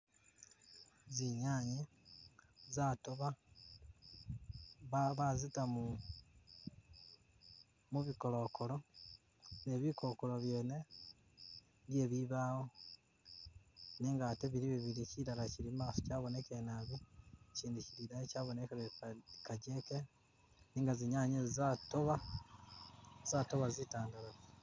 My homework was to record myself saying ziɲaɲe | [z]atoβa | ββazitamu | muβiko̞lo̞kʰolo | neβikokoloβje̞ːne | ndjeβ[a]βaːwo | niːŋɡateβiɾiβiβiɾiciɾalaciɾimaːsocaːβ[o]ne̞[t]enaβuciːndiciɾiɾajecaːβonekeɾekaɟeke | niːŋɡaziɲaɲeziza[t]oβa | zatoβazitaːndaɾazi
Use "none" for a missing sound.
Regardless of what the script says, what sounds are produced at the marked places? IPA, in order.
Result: z, i, o, k, t

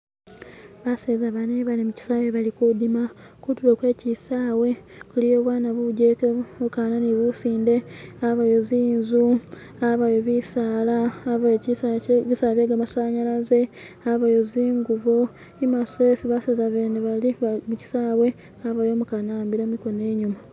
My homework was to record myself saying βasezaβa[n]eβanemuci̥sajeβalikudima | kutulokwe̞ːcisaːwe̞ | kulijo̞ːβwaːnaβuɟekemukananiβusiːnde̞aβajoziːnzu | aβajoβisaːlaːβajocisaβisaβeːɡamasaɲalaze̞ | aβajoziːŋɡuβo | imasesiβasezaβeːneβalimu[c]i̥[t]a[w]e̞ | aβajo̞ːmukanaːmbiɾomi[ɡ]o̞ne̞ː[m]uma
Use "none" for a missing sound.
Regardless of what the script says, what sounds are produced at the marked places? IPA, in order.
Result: n, c, s, w, k, ɲ

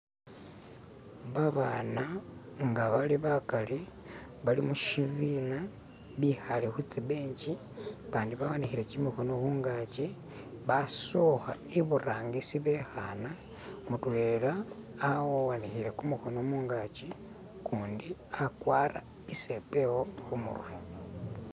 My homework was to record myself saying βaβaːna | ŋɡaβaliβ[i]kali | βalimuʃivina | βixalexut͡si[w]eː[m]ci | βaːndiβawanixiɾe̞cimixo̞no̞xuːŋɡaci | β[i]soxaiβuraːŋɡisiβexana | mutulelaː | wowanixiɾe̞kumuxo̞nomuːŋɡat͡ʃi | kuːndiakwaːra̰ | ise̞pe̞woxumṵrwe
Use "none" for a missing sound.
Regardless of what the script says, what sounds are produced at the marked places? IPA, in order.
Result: a, β, ɲ, a

